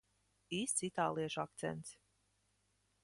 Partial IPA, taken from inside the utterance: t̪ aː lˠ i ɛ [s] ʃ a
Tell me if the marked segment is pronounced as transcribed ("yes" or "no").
no